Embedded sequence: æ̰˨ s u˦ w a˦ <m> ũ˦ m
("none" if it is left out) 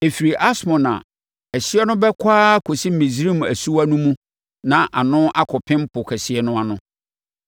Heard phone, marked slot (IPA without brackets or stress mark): n